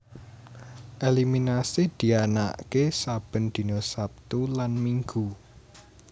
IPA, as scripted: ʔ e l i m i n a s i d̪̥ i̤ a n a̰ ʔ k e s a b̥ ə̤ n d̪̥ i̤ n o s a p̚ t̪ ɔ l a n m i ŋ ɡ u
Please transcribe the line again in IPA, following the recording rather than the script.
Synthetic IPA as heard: ʔ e l i m i n a s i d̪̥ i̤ a n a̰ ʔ k e s a b̥ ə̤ n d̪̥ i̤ n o s a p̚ t̪ u l a n m i ŋ ɡ u